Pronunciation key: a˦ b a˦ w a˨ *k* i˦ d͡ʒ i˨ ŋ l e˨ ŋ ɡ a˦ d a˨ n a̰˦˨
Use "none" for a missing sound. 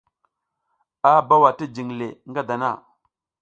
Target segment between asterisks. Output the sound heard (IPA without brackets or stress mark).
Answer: t